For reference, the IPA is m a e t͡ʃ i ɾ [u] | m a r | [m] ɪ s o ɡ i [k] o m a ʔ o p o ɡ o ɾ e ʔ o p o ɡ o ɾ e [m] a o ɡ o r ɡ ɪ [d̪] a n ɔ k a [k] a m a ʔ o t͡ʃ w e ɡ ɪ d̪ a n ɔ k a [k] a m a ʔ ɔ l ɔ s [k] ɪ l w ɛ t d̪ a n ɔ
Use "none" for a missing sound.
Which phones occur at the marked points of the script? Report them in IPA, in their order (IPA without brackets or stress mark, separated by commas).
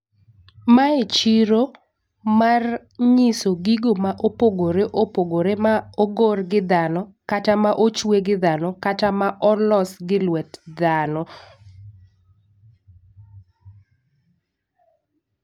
o, ɲ, ɡ, m, d̪, t, t, ɡ